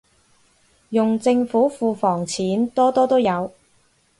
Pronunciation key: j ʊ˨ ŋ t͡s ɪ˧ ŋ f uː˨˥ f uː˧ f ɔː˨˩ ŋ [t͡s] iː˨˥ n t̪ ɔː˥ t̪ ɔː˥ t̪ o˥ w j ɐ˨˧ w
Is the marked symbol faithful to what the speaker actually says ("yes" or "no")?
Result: no